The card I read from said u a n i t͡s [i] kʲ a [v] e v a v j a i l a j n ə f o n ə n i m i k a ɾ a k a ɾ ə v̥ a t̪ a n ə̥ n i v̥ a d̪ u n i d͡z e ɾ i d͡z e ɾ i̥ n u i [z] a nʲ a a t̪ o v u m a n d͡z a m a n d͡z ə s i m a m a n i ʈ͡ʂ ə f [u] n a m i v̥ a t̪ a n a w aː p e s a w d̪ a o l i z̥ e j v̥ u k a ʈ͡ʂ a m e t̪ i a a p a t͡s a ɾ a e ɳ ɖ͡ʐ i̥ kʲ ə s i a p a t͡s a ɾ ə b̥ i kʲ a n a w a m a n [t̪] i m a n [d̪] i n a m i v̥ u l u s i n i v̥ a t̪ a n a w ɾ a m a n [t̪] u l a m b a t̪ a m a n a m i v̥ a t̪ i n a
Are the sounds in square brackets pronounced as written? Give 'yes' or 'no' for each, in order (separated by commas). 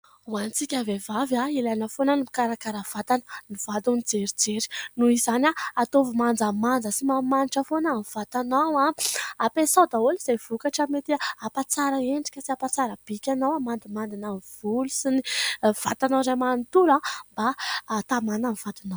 yes, yes, yes, no, no, yes, yes